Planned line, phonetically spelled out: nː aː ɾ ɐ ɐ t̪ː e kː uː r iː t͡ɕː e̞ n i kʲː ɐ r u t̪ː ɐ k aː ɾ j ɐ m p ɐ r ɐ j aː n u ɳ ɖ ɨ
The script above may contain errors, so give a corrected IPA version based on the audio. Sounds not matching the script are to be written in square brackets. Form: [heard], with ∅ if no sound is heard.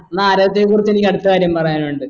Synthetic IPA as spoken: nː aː ɾ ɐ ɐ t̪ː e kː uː r [i] t͡ɕː e̞ n i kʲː ɐ [ɽ] u t̪ː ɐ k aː ɾ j ɐ m p ɐ r ɐ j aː n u ɳ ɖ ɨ